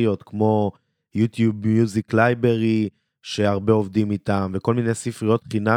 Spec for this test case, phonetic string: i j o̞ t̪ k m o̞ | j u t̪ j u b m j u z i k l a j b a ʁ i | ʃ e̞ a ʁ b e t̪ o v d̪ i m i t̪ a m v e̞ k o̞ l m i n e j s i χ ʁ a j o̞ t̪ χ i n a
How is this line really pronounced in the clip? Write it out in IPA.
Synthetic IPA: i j o̞ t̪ k m o̞ | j u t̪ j u b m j u z i k l a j b e ʁ i | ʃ e̞ a ʁ b e o v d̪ i m i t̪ a m v e̞ k o̞ l m i n e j s i f ʁ i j o̞ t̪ χ i n a